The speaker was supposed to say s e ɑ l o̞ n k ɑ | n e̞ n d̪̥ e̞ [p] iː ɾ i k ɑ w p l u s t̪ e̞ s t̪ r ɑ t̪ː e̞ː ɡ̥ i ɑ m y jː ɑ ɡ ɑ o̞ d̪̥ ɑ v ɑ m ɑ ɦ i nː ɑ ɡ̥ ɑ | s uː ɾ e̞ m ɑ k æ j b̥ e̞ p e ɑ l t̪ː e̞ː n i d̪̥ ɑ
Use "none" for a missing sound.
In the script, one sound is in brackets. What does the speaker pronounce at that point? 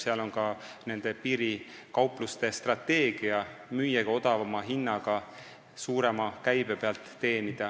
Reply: p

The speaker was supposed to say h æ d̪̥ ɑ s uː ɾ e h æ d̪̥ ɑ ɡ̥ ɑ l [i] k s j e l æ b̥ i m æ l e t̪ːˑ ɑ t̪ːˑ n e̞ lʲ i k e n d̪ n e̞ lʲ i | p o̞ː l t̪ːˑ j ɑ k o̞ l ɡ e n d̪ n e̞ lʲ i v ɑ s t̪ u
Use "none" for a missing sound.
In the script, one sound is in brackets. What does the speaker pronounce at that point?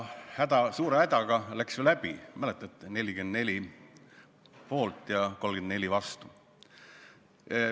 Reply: æ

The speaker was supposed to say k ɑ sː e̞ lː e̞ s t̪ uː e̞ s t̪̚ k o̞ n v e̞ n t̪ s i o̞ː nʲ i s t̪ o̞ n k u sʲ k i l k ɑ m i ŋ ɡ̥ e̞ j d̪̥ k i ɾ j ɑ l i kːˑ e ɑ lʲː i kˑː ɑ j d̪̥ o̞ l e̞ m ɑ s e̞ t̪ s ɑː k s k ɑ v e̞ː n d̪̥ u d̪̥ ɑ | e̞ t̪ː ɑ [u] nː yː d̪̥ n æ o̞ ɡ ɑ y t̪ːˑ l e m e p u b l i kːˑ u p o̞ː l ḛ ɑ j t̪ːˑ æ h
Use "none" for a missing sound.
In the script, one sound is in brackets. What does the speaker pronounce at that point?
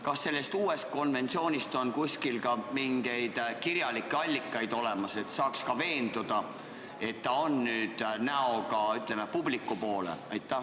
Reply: o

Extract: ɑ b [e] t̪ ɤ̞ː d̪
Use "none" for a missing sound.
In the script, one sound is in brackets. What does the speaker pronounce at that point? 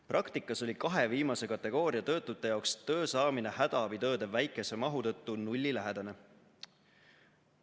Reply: i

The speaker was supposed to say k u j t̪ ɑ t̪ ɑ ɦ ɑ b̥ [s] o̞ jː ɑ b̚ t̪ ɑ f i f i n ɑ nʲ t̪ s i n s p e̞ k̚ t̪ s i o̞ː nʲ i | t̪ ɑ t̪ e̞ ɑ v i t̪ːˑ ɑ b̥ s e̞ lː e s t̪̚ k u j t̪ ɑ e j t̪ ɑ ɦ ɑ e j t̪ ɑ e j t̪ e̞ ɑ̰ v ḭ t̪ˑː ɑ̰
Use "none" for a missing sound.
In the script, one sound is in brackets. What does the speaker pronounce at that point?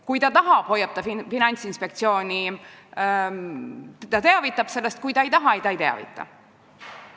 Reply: h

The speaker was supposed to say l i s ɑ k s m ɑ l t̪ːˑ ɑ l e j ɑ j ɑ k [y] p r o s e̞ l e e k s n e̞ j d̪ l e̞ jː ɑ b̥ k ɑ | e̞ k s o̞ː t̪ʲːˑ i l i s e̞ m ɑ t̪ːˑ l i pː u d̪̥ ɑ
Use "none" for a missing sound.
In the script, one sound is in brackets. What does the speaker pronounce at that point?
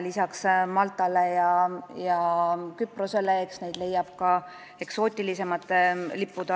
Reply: y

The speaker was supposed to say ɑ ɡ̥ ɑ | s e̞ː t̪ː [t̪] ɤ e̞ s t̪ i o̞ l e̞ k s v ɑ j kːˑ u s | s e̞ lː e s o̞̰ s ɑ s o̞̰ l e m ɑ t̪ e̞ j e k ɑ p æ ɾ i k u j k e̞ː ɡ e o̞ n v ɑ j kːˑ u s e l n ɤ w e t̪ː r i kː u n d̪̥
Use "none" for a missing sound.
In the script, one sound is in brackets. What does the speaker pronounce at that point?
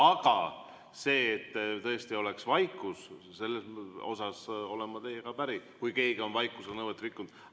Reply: t̪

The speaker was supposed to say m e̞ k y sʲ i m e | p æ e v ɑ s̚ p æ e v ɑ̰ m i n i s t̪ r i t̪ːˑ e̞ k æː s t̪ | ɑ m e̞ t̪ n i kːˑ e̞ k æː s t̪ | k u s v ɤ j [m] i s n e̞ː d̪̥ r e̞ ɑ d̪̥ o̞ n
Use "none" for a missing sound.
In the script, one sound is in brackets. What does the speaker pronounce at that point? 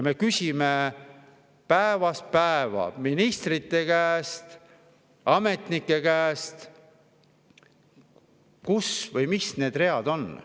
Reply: m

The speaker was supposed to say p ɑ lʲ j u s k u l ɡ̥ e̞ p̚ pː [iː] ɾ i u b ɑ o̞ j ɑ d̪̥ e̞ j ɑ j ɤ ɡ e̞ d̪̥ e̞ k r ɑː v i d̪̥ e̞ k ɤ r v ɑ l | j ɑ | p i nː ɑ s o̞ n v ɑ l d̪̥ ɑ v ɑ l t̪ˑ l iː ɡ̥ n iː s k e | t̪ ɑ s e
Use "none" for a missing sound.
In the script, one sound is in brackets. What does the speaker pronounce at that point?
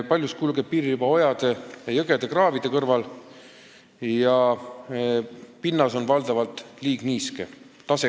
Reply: iː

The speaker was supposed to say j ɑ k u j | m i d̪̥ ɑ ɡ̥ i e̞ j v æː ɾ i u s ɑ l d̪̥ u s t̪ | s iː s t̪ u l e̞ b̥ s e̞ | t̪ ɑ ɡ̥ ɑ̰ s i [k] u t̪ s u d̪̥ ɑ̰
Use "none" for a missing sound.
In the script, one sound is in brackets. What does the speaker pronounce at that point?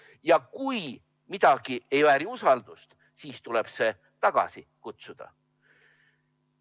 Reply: k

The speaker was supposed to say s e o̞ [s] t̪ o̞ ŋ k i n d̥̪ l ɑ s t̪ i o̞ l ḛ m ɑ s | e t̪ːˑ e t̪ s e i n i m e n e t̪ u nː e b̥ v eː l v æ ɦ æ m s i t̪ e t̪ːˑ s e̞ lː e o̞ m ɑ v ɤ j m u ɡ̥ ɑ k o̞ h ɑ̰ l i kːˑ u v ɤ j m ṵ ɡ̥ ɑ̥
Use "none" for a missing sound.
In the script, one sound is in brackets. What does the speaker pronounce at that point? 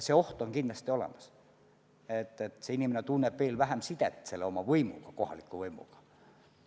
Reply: h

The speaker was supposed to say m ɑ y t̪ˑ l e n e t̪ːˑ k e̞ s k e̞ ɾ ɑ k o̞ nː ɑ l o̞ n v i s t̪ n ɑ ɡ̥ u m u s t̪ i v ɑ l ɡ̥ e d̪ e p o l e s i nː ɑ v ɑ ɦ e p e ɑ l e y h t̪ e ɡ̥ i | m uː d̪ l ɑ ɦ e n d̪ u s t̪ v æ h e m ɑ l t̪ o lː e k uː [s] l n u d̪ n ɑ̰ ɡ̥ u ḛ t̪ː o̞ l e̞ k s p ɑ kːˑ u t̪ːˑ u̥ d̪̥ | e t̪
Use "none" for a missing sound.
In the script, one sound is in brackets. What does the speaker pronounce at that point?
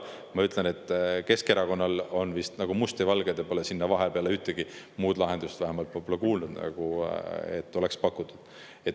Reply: none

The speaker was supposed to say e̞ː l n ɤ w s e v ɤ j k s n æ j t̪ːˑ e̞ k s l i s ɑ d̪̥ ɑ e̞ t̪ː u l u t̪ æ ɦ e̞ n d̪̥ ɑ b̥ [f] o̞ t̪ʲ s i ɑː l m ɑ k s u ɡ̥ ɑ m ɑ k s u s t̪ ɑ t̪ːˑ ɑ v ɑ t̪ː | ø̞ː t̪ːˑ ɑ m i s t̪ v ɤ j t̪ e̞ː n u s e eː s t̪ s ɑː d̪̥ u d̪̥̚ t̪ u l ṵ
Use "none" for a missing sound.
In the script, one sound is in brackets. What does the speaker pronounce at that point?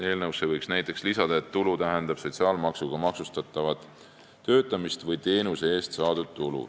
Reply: s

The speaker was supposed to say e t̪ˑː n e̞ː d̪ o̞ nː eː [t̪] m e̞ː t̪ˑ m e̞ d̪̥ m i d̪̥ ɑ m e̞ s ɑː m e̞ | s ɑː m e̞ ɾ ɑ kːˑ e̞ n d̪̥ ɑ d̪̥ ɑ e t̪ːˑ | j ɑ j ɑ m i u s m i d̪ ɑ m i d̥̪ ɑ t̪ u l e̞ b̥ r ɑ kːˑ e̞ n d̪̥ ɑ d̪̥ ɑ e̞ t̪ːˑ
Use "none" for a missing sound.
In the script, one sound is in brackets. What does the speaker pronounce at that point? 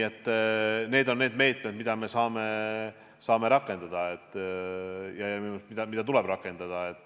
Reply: d̪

